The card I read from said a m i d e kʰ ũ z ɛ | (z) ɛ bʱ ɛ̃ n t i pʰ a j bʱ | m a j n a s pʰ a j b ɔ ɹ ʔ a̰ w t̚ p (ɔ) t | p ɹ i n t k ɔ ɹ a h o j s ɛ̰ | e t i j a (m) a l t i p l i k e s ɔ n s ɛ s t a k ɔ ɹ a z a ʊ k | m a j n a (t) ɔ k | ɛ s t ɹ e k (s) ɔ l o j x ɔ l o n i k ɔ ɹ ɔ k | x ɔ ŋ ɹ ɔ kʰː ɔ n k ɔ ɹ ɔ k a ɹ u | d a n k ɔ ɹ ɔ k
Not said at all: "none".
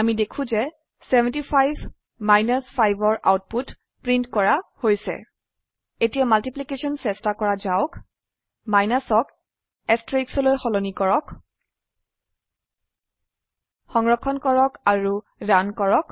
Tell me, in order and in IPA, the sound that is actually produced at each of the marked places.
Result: s, u, m, s, s

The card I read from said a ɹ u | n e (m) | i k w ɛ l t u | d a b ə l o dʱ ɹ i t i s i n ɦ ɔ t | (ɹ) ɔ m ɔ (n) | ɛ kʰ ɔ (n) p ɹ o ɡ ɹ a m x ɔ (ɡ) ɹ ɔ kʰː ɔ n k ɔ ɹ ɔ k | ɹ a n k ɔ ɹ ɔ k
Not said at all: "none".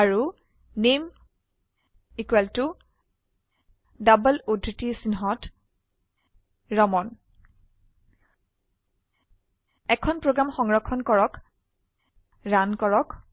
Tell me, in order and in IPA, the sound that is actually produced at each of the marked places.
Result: m, ɹ, n, n, ŋ

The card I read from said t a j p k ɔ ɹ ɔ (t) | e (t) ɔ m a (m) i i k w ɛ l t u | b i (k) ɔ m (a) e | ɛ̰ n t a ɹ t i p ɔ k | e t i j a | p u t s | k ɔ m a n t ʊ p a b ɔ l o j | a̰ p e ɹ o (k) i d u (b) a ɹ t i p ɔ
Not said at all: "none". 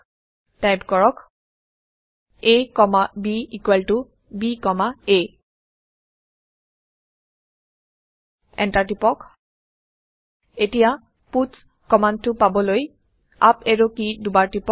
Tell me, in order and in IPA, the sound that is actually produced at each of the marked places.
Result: k, k, b, k, a, k, b

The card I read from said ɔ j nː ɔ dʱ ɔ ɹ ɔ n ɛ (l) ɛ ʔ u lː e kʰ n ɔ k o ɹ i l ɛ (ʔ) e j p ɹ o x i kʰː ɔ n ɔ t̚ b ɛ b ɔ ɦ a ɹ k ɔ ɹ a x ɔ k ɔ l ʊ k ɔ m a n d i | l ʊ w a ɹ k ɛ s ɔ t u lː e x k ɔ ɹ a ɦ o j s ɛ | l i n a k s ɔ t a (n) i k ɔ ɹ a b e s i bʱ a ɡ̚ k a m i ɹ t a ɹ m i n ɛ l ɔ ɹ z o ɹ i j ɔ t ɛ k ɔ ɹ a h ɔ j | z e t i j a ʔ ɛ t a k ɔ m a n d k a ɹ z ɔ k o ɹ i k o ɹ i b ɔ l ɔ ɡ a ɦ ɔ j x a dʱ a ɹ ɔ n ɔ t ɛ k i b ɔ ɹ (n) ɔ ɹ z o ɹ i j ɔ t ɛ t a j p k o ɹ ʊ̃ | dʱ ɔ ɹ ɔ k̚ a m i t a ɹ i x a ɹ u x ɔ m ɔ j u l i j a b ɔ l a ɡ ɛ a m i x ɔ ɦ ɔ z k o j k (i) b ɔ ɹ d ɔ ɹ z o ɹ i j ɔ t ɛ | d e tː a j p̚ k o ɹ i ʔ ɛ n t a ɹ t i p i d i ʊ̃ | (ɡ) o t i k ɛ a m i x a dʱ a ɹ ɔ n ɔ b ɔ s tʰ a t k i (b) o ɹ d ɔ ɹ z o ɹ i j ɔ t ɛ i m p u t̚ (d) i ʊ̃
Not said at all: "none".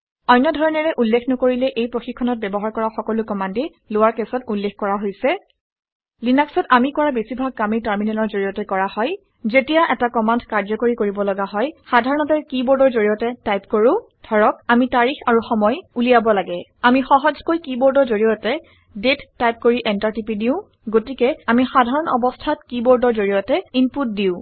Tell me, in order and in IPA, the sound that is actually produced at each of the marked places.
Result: ɹ, ʔ, m, d, i, ɡ, b, d

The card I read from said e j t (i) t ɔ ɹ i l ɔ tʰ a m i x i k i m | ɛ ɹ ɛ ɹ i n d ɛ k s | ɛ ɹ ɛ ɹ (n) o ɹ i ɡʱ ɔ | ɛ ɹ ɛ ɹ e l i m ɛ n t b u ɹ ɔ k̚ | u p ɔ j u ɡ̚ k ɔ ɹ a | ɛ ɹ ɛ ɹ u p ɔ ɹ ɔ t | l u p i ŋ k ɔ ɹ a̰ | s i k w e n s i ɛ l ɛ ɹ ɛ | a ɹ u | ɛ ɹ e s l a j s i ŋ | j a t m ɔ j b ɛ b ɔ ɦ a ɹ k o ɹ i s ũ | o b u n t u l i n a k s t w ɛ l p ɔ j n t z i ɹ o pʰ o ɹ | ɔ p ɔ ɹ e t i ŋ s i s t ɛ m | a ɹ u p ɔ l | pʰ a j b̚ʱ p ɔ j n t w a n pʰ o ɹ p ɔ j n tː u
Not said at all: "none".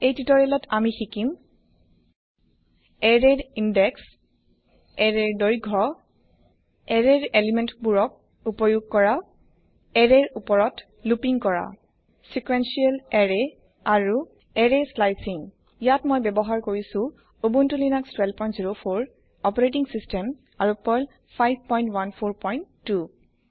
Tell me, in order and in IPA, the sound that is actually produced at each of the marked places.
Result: i, d

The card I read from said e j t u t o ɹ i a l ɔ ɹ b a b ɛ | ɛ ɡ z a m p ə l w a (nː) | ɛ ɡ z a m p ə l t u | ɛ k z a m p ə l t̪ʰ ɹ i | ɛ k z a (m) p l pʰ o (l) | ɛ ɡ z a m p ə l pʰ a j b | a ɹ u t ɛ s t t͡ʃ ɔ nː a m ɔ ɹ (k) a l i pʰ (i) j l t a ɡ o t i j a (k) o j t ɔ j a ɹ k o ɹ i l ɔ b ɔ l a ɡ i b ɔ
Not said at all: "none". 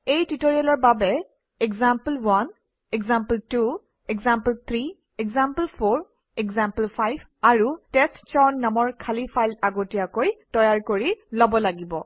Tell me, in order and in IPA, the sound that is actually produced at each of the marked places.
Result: n, m, ɹ, kʰ, a, k

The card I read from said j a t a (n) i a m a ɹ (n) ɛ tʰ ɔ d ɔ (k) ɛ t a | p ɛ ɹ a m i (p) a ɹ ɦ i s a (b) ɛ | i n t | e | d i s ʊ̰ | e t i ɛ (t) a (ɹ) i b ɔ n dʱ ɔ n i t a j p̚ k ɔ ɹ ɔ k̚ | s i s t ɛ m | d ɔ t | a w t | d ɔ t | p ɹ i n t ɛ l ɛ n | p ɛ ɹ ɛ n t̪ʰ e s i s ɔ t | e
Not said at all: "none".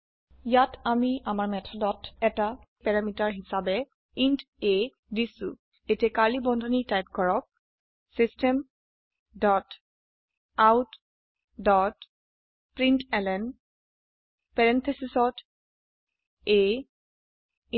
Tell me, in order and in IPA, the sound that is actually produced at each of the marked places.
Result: m, m, t, t, b, k, l

